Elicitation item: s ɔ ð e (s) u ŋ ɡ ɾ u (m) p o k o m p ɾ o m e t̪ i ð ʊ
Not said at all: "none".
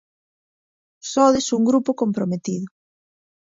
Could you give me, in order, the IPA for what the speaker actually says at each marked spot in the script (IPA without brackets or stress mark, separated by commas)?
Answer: s, none